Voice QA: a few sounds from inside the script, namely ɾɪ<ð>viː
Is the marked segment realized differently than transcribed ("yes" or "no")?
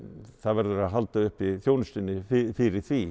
yes